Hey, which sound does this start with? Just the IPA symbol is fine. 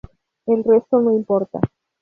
e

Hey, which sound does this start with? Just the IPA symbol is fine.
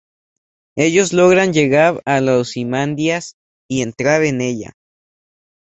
e̞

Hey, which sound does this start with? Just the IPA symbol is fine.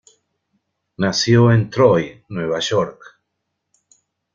n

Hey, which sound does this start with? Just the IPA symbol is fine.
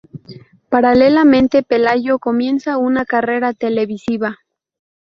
p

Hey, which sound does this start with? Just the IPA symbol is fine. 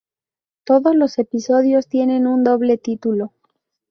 t̪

